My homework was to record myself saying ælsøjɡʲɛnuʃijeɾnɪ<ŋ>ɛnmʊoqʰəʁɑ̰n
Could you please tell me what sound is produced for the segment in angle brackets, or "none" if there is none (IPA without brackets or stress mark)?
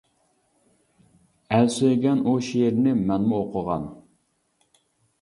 m